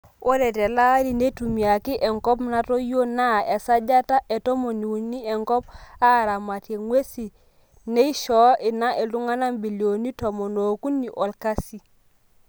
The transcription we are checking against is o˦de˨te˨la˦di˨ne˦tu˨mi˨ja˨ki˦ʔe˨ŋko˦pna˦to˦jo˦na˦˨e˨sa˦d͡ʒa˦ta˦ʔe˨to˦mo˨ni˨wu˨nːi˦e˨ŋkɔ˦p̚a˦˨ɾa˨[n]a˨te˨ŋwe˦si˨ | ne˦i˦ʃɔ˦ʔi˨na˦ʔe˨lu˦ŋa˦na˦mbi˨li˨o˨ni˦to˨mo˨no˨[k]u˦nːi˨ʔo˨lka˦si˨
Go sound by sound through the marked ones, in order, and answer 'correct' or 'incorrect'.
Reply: incorrect: m, correct

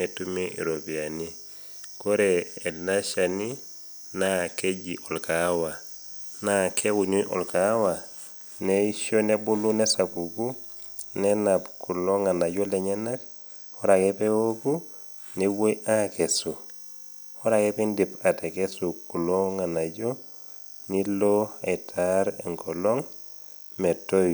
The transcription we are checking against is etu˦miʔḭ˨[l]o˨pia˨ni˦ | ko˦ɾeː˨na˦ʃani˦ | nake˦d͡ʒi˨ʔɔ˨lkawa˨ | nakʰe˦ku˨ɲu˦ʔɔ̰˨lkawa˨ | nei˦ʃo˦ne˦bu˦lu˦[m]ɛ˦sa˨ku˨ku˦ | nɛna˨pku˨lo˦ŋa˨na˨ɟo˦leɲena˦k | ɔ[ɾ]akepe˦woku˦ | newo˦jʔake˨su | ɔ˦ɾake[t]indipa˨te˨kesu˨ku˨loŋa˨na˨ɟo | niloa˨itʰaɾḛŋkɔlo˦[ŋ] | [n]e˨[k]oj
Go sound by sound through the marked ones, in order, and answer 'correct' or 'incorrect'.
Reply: incorrect: ɾ, incorrect: n, correct, incorrect: p, correct, incorrect: m, incorrect: t

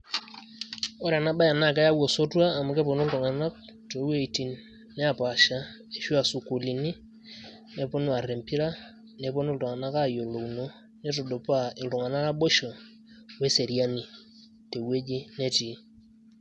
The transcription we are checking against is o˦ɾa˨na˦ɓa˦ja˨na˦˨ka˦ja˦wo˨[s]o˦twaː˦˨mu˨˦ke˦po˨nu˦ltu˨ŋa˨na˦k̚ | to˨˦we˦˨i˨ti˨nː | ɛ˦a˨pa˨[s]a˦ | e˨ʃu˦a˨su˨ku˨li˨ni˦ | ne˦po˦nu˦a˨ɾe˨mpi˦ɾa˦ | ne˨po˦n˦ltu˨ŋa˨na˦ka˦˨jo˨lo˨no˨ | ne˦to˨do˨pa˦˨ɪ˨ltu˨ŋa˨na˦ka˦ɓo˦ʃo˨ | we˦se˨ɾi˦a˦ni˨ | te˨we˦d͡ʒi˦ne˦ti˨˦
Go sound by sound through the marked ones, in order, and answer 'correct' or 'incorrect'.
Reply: correct, incorrect: ʃ

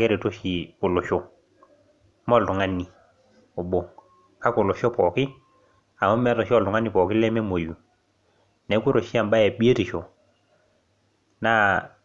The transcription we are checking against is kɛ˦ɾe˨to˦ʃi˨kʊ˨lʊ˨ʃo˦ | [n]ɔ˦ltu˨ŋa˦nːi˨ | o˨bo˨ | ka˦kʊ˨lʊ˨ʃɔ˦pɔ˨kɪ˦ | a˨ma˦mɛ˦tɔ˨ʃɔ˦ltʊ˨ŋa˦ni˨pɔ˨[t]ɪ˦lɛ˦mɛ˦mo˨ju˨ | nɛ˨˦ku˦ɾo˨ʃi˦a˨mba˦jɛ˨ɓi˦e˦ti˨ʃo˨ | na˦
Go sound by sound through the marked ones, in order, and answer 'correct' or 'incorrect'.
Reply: incorrect: m, incorrect: k

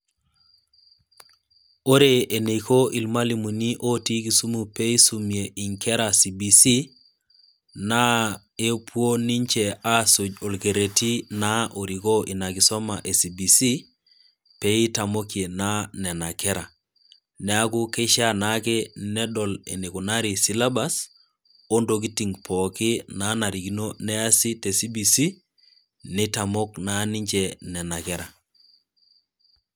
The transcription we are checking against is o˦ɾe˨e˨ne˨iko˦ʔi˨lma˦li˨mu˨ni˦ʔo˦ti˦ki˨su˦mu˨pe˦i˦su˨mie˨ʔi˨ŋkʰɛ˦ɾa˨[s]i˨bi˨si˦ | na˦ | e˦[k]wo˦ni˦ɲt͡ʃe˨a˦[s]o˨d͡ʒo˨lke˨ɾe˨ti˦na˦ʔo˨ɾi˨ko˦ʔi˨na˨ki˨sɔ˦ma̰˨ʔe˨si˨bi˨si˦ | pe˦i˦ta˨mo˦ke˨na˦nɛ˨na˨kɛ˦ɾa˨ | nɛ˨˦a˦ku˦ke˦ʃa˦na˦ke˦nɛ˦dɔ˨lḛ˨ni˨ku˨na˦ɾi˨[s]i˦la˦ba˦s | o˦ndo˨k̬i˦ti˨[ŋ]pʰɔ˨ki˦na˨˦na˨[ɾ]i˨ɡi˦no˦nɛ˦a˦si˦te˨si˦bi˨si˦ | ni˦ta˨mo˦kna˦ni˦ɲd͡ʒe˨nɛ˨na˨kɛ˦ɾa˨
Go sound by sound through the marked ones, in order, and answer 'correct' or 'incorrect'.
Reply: correct, incorrect: p, correct, correct, correct, correct

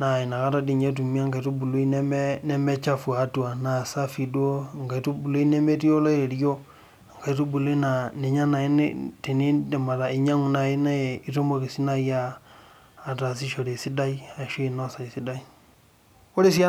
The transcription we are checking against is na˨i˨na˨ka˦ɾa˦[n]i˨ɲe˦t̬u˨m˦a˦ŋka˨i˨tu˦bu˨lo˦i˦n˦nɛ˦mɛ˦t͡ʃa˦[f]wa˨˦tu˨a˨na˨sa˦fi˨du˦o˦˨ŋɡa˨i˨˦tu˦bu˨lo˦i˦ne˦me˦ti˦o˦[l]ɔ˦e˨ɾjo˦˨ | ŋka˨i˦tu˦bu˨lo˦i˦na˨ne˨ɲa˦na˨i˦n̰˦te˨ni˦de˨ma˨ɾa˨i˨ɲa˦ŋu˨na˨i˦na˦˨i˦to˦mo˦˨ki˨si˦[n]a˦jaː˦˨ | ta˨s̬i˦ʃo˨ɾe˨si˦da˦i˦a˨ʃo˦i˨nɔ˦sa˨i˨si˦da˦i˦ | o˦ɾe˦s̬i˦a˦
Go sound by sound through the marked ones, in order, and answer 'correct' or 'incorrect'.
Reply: incorrect: d, correct, correct, correct

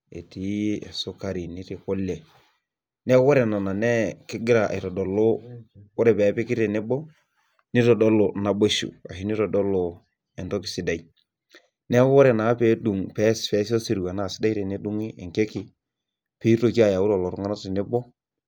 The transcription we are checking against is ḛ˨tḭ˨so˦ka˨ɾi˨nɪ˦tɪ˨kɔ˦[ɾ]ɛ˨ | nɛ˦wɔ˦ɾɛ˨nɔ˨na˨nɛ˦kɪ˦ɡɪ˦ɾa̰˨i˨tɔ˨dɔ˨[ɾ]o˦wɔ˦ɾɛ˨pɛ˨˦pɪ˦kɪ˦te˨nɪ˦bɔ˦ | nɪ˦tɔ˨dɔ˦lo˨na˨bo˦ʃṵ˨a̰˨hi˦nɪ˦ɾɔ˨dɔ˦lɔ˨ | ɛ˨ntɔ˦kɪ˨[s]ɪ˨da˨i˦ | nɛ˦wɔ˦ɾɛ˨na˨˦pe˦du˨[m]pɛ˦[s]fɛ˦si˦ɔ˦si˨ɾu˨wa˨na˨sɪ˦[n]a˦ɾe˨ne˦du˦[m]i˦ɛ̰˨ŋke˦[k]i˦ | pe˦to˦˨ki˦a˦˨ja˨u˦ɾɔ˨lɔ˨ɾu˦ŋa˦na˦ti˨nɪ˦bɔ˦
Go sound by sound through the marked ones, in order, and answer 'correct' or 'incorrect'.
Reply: incorrect: l, incorrect: l, correct, incorrect: ŋ, correct, incorrect: d, incorrect: ŋ, correct

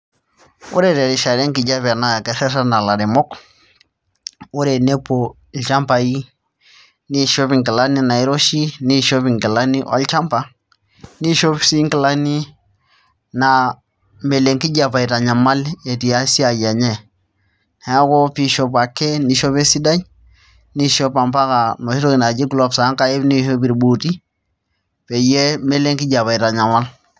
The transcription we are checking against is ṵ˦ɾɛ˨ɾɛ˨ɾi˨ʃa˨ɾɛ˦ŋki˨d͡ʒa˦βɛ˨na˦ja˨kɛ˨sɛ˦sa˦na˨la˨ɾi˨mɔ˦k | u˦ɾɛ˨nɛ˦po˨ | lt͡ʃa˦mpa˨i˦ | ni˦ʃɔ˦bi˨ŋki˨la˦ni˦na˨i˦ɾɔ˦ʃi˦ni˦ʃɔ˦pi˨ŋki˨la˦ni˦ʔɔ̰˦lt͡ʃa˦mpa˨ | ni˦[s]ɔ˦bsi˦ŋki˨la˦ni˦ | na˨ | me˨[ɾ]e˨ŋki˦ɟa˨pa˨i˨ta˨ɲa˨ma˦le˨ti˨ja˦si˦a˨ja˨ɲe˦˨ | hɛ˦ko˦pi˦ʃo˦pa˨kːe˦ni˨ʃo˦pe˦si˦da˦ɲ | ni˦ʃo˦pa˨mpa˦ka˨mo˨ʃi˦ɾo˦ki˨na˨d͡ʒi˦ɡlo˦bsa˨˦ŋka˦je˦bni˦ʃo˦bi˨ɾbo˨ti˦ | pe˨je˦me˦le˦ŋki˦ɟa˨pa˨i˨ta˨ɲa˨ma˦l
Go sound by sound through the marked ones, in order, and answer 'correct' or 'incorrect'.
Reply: incorrect: ʃ, incorrect: l

